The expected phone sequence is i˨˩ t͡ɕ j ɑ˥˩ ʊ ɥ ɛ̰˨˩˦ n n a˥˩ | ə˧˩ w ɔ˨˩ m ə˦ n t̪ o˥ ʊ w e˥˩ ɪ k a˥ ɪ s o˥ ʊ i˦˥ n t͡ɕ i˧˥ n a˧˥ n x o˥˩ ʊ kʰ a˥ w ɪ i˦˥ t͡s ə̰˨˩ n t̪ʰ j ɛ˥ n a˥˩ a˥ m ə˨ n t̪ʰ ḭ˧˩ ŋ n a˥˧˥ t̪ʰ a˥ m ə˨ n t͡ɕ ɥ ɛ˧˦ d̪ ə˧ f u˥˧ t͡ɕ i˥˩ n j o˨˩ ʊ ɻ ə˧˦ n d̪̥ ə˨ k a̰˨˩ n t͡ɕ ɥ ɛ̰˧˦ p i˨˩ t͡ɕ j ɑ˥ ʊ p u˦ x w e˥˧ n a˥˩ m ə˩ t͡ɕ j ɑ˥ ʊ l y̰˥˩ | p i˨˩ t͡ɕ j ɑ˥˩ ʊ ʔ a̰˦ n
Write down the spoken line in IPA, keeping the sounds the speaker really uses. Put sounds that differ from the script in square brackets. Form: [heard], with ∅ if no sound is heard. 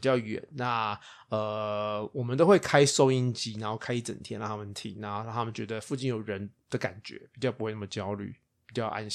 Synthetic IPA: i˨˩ t͡ɕ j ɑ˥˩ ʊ ɥ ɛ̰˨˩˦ n n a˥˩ | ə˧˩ w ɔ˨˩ m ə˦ n t̪ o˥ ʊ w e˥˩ ɪ [kʰ] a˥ ɪ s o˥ ʊ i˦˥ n t͡ɕ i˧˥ n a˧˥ n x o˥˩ ʊ kʰ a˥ [∅] ɪ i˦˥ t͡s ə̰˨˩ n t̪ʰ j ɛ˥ n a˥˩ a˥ m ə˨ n t̪ʰ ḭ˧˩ ŋ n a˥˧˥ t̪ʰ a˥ m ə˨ n t͡ɕ ɥ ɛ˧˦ d̪ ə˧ f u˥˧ t͡ɕ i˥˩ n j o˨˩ ʊ ɻ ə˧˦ n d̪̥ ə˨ k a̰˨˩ n t͡ɕ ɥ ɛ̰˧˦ p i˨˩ t͡ɕ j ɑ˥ ʊ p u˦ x w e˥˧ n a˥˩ m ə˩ t͡ɕ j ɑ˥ ʊ l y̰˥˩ | p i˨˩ t͡ɕ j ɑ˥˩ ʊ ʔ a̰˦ n